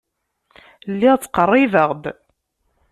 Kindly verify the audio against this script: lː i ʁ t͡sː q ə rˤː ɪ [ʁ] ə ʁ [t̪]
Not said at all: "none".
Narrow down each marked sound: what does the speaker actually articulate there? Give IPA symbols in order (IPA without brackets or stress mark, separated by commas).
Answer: v, d̪